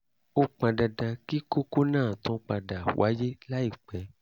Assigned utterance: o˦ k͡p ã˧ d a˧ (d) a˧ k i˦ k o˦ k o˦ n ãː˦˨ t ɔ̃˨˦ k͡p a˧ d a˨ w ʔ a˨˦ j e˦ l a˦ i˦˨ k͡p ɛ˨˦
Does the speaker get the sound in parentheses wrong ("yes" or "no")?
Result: no